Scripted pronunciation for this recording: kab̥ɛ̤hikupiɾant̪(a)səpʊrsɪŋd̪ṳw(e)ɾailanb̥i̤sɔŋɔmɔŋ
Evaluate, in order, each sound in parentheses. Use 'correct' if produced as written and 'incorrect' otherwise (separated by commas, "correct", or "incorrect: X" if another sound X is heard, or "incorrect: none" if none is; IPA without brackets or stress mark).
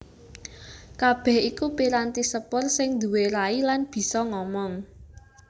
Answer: incorrect: i, correct